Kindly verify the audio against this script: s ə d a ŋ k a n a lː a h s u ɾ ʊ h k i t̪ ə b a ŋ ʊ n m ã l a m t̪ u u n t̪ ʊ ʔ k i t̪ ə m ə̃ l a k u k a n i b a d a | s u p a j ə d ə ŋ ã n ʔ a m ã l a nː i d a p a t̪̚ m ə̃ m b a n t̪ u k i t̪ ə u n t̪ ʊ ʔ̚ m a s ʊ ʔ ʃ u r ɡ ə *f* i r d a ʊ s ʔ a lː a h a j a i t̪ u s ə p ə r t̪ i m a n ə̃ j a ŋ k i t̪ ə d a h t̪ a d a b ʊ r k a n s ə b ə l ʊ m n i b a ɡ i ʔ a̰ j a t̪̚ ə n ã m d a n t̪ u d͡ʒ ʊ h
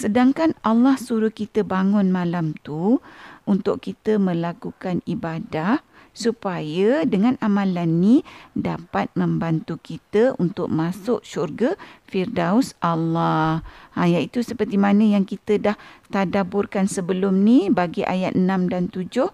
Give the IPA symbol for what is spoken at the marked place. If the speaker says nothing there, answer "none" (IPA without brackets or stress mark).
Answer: f